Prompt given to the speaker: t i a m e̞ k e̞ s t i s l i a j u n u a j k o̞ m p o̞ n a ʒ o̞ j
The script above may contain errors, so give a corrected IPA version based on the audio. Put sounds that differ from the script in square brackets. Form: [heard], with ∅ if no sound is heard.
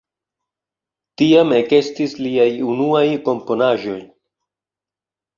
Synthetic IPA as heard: t i a m e̞ k e̞ s t i s l i a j u n u a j k o̞ m p o̞ n a ʒ o̞ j